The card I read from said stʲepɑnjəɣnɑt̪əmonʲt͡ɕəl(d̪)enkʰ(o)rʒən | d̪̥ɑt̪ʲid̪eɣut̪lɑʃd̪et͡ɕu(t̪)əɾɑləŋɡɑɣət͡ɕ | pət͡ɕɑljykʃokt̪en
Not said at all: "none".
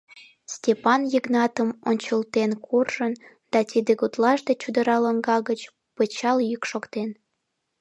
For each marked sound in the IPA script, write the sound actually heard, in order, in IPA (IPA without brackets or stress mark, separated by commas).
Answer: t̪, u, d̪